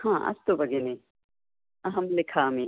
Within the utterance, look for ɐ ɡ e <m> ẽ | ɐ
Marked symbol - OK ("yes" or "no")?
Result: no